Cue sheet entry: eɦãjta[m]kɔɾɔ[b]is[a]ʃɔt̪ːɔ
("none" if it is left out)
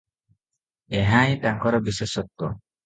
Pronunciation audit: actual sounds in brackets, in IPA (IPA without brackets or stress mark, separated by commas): ŋ, b, e